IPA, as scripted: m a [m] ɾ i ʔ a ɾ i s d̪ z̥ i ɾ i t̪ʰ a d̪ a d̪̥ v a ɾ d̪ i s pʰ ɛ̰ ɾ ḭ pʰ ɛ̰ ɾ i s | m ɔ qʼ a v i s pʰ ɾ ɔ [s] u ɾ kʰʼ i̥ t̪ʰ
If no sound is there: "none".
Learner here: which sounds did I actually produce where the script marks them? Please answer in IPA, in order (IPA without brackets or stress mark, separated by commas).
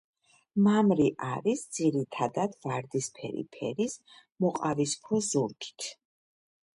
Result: m, z